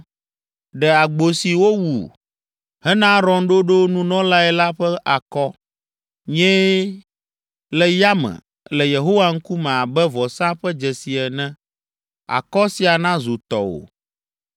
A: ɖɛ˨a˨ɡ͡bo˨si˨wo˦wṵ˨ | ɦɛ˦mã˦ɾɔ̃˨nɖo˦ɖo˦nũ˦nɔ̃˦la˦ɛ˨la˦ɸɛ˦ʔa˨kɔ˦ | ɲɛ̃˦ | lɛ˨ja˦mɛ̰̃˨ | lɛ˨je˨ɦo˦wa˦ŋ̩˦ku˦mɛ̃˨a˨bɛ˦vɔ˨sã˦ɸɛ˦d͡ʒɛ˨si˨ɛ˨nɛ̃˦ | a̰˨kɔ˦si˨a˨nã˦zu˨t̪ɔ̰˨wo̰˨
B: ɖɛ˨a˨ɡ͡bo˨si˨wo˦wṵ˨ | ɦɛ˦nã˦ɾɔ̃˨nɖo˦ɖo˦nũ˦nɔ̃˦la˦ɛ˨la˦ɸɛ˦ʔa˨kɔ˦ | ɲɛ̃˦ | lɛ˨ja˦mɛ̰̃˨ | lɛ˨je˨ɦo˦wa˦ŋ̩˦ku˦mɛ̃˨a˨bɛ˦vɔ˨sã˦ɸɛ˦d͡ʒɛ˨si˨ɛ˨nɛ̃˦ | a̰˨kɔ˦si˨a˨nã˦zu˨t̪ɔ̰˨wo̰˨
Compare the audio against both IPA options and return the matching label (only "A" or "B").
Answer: B